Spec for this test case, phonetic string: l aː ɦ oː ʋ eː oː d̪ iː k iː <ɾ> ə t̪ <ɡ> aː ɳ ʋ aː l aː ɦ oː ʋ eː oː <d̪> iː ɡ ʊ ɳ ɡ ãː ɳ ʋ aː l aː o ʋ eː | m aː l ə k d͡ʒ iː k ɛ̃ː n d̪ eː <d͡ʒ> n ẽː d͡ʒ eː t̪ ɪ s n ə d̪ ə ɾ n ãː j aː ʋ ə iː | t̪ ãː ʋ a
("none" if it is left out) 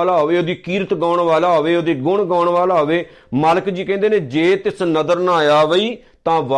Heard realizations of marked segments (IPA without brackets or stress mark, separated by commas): ɾ, ɡ, d̪, none